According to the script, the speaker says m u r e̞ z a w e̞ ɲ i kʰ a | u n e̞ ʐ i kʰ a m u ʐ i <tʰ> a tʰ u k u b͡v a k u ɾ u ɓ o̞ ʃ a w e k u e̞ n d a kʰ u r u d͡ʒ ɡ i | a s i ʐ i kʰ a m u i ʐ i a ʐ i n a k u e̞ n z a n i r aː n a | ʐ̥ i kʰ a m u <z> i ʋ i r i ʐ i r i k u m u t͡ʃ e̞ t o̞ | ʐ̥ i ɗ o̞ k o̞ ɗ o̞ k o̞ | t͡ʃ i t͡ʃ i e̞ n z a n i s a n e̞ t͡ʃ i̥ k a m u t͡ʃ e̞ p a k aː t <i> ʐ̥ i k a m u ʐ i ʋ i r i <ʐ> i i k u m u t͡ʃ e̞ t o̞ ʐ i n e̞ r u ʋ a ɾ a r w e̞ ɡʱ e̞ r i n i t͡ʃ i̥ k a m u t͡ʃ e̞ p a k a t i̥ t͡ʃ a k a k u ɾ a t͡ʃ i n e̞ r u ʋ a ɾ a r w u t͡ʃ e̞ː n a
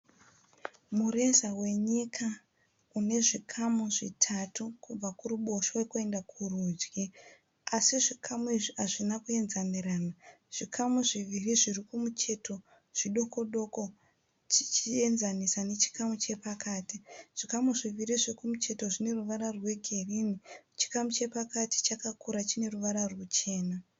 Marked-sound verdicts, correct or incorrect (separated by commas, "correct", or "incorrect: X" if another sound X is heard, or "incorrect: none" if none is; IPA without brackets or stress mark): correct, incorrect: ʐ, correct, correct